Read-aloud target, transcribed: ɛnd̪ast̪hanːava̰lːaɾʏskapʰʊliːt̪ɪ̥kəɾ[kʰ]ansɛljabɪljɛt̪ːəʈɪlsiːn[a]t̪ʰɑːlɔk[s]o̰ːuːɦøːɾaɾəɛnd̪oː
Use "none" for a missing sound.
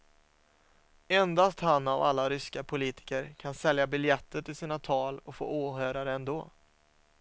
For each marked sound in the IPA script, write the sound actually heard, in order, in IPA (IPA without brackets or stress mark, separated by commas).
kʰ, a, f